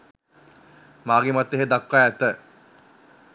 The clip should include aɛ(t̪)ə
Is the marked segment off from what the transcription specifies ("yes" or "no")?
no